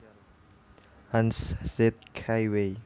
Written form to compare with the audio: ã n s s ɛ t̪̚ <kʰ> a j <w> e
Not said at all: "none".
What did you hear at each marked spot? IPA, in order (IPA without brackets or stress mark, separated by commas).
kʰ, w